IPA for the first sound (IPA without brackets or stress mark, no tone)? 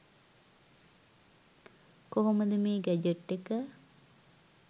k